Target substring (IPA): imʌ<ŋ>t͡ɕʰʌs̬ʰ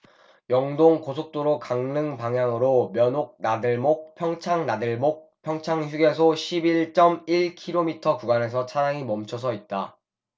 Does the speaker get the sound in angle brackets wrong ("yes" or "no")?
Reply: yes